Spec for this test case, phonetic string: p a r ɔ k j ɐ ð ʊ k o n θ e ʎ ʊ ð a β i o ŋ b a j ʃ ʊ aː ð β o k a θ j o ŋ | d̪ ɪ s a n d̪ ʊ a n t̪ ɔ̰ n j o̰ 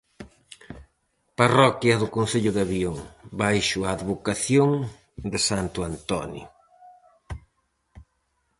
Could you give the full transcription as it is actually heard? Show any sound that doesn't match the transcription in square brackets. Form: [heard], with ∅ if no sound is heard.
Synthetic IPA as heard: p a r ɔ k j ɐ ð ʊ k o n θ e ʎ ʊ ð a β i o ŋ b a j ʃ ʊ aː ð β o k a θ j o ŋ | d̪ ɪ s a n [t̪] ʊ a n t̪ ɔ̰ n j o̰